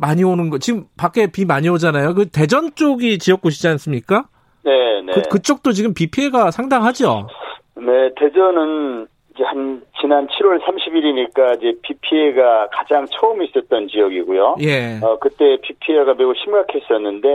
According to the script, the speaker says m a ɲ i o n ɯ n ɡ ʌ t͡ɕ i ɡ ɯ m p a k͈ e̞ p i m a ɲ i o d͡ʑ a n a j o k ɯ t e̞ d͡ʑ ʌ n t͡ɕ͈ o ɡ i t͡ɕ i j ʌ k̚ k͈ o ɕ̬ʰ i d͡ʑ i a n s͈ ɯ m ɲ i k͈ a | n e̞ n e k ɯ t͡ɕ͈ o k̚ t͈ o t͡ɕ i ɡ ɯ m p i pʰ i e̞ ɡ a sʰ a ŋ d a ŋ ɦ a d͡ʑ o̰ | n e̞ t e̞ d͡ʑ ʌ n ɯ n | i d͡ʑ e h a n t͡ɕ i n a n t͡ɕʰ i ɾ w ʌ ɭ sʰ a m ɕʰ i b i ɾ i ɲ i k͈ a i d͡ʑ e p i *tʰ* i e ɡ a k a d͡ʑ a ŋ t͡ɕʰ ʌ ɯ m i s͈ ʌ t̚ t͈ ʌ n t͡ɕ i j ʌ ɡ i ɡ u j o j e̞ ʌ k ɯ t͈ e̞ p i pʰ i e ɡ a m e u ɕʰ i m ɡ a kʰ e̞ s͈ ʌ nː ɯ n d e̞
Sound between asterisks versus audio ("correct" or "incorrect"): incorrect